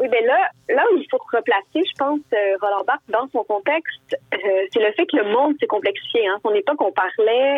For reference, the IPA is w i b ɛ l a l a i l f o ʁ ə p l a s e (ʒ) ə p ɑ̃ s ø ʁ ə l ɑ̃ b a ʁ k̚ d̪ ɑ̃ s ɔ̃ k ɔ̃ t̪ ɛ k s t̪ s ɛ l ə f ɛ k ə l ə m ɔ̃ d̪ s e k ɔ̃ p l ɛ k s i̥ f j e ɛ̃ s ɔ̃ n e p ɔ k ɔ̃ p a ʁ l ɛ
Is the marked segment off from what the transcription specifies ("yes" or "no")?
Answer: no